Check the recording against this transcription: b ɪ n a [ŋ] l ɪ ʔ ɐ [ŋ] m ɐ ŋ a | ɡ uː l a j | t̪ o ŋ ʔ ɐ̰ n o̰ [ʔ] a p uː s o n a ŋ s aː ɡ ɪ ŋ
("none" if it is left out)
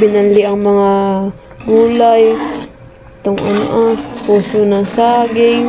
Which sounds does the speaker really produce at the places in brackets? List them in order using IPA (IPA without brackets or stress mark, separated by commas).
n, ŋ, ʔ